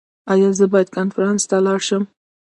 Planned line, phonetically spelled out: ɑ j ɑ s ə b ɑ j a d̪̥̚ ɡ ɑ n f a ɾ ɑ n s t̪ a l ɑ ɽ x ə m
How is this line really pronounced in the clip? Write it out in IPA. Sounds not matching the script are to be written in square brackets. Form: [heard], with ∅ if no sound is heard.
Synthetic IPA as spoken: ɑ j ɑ [z] ə b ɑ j a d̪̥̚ [k] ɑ n f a ɾ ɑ n s t̪ a l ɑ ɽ [ʃ] ə m